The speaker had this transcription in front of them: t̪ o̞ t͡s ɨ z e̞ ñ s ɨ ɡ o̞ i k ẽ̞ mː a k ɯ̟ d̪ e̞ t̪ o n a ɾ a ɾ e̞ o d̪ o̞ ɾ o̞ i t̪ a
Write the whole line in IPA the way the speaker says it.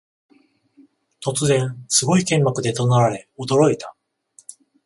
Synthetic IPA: t̪ o̞ t͡s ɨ z ẽ̞ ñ s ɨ ɡ o̞ i k ẽ̞ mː a k ɯ̟ d̪ e̞ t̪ o n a ɾ a ɾ e̞ o d̪ o̞ ɾ o̞ i t̪ a